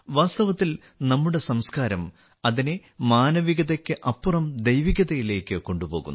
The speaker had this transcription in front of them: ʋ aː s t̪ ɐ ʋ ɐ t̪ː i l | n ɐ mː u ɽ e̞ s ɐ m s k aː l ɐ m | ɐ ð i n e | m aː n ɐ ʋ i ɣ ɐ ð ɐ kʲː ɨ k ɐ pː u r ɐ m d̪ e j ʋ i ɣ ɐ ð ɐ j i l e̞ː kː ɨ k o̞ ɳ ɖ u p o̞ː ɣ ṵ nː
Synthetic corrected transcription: ʋ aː s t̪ ɐ ʋ ɐ t̪ː i l | n ɐ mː u ɽ e̞ s ɐ m s k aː ɾ ɐ m | ɐ ð i n e | m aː n ɐ ʋ i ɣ ɐ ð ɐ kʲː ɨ ʔ ɐ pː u r ɐ m d̪ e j ʋ i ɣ ɐ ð ɐ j i l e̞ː kː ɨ k o̞ ɳ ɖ u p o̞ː ɣ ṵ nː

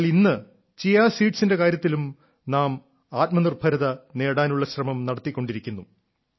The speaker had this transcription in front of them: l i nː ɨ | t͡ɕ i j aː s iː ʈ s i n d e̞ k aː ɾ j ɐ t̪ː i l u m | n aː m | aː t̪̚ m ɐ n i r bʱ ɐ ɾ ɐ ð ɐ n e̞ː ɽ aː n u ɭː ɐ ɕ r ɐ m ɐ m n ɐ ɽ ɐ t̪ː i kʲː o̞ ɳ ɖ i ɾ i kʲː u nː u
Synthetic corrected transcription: l i nː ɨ | t͡ɕ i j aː s iː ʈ s i n d e̞ k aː ɾ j ɐ t̪ː i l u m | n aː m | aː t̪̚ m ɐ n i r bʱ ɐ ɾ ɐ ð ɐ n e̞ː ɽ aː n u ɭː ɐ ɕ r ɐ m ɐ m n ɐ ɽ ɐ t̪ː i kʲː o̞ ɳ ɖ i ɾ i kʲː u nː u

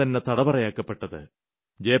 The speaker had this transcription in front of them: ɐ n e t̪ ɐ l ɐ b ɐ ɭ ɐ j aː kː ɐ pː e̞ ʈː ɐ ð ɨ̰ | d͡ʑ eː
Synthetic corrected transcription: ɐ nː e t̪ ɐ ɽ ɐ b ɐ r ɐ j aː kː ɐ pː e̞ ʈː ɐ ð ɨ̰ | d͡ʑ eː

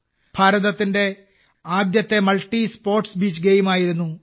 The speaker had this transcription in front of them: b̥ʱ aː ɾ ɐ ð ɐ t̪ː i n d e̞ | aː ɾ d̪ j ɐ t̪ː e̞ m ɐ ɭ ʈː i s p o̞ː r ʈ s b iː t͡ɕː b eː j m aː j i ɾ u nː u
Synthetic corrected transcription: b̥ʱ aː ɾ ɐ ð ɐ t̪ː i n d e̞ | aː d̪ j ɐ t̪ː e̞ m ɐ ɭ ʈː i s p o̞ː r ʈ s b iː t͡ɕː ɡ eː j m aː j i ɾ u nː u

